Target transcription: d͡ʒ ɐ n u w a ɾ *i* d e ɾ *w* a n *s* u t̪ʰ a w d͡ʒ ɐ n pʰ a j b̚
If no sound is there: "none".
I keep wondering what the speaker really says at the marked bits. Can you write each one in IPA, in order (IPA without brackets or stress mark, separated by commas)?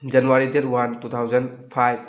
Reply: i, w, t